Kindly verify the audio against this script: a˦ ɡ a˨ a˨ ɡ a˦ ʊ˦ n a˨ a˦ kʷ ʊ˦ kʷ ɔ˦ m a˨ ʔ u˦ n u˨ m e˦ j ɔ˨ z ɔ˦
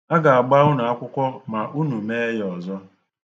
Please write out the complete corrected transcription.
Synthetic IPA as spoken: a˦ ɡ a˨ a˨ ɡ͡b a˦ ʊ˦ n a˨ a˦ kʷ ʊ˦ kʷ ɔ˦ m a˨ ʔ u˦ n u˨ m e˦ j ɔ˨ z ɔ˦